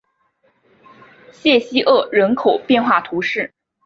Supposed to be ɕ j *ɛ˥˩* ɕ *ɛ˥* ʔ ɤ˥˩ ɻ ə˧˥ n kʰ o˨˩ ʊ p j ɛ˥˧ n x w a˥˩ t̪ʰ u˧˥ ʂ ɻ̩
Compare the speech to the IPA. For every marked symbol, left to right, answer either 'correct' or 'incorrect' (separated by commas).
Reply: correct, incorrect